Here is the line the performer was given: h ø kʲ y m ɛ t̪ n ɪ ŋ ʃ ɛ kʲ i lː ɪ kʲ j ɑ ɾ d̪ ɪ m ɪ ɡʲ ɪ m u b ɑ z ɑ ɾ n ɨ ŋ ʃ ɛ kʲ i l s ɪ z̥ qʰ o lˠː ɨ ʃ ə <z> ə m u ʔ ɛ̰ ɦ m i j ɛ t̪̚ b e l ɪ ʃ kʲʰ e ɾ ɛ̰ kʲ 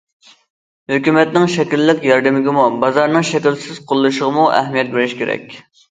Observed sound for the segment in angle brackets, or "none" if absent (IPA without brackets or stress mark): ʁ